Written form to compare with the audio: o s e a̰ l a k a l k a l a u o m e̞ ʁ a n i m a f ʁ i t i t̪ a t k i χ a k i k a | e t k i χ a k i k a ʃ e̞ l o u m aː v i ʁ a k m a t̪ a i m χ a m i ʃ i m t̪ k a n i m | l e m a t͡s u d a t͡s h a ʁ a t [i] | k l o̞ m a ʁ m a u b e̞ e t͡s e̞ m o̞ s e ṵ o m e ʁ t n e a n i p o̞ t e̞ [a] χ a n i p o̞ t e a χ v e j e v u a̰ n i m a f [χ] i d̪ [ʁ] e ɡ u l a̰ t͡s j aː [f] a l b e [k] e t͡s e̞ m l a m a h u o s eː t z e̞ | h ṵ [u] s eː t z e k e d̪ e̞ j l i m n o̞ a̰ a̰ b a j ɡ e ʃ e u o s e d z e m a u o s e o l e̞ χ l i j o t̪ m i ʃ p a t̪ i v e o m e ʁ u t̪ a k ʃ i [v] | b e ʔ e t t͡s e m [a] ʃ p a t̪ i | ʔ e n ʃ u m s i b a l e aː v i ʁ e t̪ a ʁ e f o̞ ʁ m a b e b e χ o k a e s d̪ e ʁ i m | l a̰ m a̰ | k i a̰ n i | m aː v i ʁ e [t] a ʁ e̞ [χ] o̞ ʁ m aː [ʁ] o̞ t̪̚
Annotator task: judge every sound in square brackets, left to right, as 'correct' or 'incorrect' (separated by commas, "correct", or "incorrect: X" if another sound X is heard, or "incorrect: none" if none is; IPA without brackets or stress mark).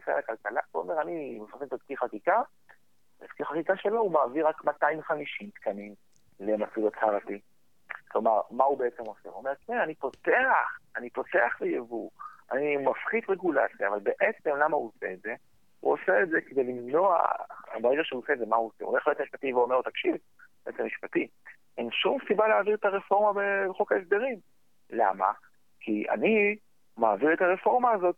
correct, correct, correct, correct, incorrect: v, incorrect: ʔ, incorrect: o, correct, incorrect: i, correct, incorrect: f, incorrect: z